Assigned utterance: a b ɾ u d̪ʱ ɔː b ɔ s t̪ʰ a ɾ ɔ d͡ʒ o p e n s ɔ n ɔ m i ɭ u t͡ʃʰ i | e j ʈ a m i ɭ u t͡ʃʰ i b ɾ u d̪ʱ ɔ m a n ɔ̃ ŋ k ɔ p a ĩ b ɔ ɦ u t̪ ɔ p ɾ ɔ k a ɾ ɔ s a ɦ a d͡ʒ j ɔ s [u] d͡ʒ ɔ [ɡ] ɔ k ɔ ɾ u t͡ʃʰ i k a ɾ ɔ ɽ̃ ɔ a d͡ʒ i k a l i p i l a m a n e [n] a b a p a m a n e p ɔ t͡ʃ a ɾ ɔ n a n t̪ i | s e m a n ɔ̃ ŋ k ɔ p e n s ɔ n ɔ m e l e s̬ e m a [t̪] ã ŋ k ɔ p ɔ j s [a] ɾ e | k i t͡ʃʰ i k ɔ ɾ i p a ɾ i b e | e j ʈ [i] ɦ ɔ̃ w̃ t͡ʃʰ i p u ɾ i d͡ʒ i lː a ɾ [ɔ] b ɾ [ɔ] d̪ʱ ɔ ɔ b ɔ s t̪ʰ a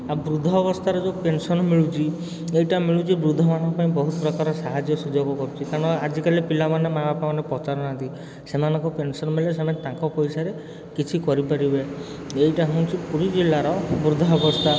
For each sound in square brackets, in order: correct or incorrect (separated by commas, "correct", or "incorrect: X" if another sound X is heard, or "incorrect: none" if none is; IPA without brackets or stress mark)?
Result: correct, correct, incorrect: m, correct, correct, incorrect: a, correct, incorrect: u